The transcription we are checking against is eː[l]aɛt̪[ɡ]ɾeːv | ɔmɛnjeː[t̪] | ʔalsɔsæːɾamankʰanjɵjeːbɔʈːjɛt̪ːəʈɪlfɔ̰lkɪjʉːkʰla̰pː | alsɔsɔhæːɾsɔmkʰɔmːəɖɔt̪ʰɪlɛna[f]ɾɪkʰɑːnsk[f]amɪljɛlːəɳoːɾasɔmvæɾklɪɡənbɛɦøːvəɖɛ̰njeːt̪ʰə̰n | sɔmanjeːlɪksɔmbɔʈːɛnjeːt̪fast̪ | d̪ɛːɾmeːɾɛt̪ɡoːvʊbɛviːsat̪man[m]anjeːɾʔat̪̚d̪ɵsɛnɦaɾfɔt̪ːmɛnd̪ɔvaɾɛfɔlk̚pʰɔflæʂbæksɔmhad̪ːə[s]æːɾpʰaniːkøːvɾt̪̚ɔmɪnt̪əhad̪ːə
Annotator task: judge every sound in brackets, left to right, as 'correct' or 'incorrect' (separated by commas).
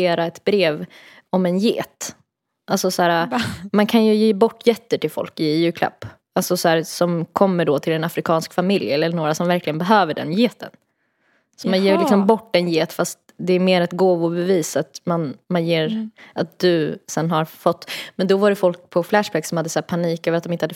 incorrect, incorrect, correct, correct, correct, correct, correct